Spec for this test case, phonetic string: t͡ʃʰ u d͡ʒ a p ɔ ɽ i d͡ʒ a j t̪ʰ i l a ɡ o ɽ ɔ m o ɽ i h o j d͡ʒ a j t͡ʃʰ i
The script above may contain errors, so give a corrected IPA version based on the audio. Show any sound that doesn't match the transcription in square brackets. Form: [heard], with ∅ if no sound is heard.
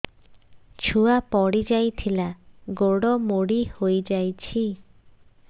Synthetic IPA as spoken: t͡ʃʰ u [∅] a p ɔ ɽ i d͡ʒ a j t̪ʰ i l a ɡ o ɽ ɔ m o ɽ i h o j d͡ʒ a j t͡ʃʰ i